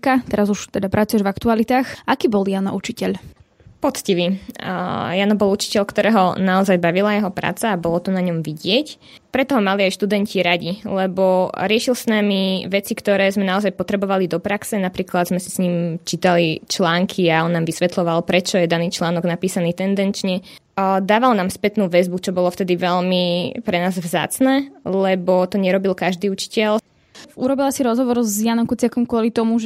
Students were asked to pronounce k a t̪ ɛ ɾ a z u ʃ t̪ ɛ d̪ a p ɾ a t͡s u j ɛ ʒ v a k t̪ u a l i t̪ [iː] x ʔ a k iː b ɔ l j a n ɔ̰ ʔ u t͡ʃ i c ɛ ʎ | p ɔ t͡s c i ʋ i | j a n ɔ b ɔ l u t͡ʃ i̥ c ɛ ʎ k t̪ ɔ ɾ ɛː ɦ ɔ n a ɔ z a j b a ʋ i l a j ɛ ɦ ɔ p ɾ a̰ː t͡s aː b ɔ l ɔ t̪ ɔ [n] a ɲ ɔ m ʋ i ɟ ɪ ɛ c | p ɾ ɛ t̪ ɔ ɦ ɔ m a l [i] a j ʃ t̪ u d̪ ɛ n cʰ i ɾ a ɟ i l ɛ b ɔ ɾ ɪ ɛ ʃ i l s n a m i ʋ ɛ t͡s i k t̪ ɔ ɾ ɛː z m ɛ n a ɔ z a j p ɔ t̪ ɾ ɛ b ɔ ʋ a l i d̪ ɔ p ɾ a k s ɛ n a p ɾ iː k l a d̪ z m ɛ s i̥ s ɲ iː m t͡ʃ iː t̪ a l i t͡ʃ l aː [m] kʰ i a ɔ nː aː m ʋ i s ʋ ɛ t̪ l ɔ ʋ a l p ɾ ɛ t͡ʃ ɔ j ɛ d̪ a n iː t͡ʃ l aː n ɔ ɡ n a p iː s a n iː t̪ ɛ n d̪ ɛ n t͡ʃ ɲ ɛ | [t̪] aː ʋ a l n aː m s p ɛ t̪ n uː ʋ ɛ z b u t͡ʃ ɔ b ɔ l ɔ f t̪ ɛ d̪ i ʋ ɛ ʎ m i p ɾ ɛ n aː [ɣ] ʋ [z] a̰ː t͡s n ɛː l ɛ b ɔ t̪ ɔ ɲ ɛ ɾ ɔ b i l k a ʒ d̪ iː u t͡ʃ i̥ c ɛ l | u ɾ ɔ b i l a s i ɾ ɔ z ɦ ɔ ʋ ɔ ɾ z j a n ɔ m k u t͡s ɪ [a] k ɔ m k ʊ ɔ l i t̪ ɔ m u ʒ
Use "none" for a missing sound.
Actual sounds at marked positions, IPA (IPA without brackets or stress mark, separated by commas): aː, n, i, ŋ, d̪, z, z, a